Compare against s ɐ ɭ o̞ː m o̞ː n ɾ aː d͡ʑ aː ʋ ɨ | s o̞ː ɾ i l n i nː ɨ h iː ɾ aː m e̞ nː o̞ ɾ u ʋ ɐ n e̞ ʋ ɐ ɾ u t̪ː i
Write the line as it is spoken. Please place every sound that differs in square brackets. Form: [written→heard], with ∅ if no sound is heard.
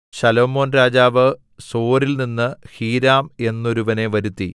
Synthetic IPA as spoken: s ɐ [ɭ→l] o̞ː m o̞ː n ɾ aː d͡ʑ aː ʋ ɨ | s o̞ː ɾ i l n i nː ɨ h iː ɾ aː m e̞ nː o̞ ɾ u ʋ ɐ n e̞ ʋ ɐ ɾ u t̪ː i

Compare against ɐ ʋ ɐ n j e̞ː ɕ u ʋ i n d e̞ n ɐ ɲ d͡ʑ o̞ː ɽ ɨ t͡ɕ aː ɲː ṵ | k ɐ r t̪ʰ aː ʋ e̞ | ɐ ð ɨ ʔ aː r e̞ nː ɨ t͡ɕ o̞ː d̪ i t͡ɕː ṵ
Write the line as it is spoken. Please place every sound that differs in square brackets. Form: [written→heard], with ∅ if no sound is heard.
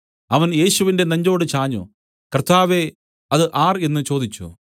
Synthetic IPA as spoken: ɐ ʋ ɐ n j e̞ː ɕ u ʋ i n d e̞ n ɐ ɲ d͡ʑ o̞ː ɽ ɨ t͡ɕ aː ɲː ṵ | k ɐ r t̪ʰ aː ʋ e̞ | ɐ ð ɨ ʔ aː r e̞ nː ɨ t͡ɕ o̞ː d̪ i t͡ɕː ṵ

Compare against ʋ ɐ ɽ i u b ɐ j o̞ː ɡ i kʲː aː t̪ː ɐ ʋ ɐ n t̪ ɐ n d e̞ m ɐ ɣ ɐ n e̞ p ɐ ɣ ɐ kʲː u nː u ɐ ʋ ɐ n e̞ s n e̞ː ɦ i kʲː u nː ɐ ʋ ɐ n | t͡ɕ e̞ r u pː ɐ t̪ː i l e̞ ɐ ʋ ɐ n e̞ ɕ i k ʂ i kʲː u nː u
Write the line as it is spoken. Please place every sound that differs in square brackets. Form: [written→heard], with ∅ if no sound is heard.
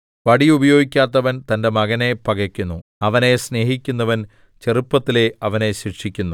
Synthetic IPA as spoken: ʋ ɐ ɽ i u b ɐ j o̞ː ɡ i kʲː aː t̪ː ɐ ʋ ɐ n t̪ ɐ n d e̞ m ɐ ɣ ɐ n e̞ p ɐ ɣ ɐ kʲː u nː u ɐ ʋ ɐ n e̞ s n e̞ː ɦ i kʲː u nː ɐ ʋ ɐ n | t͡ɕ e̞ r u pː ɐ t̪ː i l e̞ ɐ ʋ ɐ n e̞ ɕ i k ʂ i kʲː u nː u

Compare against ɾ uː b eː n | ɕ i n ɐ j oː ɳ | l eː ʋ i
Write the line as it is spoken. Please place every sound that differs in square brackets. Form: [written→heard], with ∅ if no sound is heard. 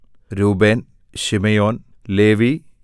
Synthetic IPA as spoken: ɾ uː b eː n | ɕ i [n→m] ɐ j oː [ɳ→n] | l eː ʋ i

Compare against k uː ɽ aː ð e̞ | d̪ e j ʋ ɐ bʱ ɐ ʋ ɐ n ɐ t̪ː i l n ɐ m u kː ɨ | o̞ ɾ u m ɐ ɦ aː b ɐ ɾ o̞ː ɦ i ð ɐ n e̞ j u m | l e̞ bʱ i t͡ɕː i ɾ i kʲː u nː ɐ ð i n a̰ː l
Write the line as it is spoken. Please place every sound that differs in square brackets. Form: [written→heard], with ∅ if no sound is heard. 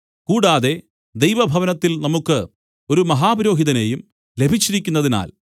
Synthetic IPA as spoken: k uː ɽ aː ð e̞ | d̪ e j ʋ ɐ bʱ ɐ ʋ ɐ n ɐ t̪ː i l n ɐ m u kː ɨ | o̞ ɾ u m ɐ ɦ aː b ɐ ɾ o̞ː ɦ i ð ɐ n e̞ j u m | l e̞ bʱ i t͡ɕː i ɾ i kʲː u nː ɐ ð i n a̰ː l

